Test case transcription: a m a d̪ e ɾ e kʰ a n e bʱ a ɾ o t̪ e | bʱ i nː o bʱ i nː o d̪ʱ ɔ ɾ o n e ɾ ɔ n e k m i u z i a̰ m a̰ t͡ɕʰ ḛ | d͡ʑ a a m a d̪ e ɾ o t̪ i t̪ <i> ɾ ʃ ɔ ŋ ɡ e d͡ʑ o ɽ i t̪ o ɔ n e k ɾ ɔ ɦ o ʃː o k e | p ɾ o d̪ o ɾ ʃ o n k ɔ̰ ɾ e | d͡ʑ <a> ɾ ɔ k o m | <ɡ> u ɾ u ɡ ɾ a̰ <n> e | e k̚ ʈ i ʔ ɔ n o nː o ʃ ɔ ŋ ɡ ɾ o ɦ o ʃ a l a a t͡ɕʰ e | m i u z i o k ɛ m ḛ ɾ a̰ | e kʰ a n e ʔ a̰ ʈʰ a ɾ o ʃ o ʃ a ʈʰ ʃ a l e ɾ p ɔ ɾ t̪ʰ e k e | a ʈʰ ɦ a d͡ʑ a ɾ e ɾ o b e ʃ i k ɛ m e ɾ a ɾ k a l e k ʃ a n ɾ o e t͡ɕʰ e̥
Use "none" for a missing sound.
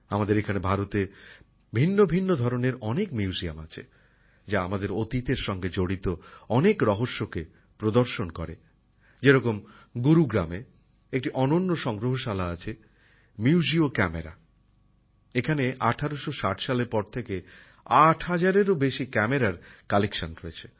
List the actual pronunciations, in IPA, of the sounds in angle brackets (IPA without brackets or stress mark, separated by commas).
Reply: e, e, ɡ, m